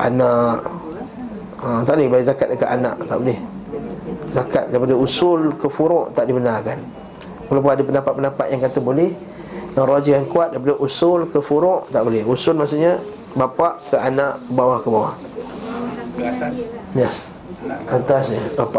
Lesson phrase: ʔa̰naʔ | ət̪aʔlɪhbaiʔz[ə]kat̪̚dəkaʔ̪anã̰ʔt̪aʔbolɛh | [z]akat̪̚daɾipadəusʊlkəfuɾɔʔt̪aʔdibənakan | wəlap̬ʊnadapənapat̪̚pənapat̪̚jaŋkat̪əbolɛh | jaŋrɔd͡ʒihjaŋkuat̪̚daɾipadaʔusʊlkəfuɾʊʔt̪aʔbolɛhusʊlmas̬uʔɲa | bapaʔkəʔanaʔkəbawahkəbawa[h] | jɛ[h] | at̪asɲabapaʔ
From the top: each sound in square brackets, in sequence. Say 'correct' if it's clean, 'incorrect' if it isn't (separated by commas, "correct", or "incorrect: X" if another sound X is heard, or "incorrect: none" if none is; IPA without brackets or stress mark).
incorrect: a, correct, correct, incorrect: s